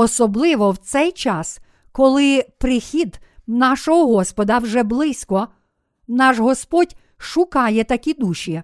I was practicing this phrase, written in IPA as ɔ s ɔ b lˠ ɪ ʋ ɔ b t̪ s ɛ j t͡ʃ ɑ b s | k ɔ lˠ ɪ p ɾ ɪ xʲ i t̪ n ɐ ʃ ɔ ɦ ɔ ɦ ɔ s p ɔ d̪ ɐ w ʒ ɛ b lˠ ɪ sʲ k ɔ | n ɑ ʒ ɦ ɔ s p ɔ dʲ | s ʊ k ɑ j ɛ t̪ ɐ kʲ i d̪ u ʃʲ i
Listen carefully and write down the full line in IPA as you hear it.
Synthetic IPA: ɔ s ɔ b lˠ ɪ ʋ ɔ w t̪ s ɛ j t͡ʃ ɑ s | k ɔ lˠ ɪ p ɾ ɪ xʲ i d̪ n ɑ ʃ ɔ ɦ ɔ ɦ ɔ s p ɔ d̪ ɐ w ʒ ɛ b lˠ ɪ sʲ k ɔ | n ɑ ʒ ɦ ɔ s p ɔ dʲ | ʃ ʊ k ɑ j ɛ t̪ ɐ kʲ i d̪ u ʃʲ i